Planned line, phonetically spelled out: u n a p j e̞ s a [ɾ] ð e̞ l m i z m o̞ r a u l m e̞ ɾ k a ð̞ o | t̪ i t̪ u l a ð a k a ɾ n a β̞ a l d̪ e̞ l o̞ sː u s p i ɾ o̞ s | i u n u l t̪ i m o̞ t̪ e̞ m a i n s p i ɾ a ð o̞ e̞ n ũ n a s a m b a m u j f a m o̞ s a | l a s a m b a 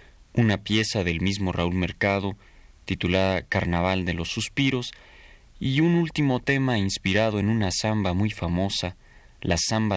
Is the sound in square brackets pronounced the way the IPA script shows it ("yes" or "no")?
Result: no